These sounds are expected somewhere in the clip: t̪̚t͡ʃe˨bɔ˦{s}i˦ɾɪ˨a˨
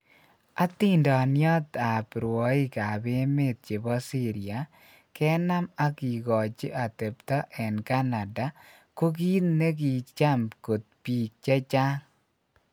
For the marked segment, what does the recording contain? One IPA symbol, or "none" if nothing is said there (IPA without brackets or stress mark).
s